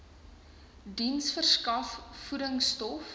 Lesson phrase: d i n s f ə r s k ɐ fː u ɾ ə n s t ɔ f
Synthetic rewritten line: d i n s f ə r s k ɐ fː u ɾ ə ŋ s t ɔ f